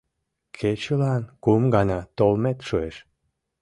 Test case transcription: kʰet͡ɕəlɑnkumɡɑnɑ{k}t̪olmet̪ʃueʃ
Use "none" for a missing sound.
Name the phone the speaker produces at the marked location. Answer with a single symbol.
none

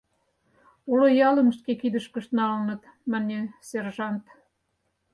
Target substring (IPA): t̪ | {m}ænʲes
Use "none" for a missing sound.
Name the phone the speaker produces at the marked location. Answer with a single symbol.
m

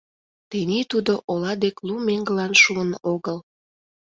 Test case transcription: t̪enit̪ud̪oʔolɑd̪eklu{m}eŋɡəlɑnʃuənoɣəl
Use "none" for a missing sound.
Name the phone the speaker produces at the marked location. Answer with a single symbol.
m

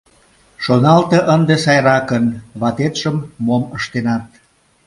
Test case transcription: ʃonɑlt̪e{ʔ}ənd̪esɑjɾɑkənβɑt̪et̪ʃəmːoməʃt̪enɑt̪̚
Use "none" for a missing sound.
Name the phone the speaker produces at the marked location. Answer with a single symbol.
ʔ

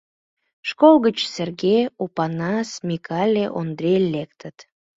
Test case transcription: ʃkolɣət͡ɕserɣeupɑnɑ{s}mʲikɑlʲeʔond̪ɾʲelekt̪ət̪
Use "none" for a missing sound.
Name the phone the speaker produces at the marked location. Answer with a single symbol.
s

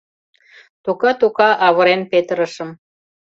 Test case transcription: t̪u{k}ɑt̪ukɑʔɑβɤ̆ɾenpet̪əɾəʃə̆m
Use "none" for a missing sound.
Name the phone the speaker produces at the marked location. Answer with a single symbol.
k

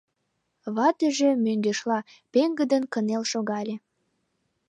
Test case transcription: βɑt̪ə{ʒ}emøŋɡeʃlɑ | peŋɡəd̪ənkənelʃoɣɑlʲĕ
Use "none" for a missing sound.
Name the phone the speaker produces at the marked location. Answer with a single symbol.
ʒ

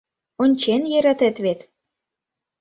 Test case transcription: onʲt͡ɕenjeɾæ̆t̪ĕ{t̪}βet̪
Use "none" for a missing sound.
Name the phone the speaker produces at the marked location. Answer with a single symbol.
t̪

